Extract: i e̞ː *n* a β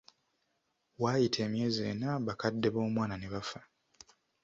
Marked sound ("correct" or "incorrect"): correct